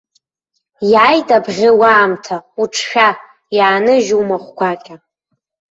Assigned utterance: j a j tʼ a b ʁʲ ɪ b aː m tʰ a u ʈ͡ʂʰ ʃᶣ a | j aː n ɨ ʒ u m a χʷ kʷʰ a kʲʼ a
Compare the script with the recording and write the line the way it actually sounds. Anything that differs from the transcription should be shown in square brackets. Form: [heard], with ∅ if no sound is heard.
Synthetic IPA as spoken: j a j tʼ a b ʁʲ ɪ [w] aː m tʰ a u ʈ͡ʂʰ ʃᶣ a | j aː n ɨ ʒ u m a χʷ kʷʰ a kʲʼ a